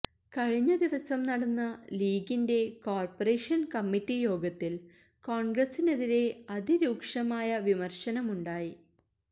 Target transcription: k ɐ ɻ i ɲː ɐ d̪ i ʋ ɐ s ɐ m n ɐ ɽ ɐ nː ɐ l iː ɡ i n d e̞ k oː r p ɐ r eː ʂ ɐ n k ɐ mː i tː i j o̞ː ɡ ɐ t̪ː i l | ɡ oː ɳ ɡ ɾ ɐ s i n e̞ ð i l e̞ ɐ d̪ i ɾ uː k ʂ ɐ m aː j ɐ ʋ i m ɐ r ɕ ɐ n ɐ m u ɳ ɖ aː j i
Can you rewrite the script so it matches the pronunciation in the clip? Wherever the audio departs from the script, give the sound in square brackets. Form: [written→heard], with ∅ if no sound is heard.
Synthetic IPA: k ɐ ɻ i ɲː ɐ d̪ i ʋ ɐ s ɐ m n ɐ ɽ ɐ nː ɐ l iː ɡ i n d e̞ k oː r p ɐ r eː ʂ ɐ n k ɐ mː i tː i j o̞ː ɡ ɐ t̪ː i l | [ɡ→k] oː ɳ ɡ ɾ ɐ s i n e̞ ð i [l→ɾ] e̞ ɐ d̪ i ɾ uː k ʂ ɐ m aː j ɐ ʋ i m ɐ r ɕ ɐ n ɐ m u ɳ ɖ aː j i